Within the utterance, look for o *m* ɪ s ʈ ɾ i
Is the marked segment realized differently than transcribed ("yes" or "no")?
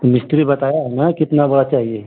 no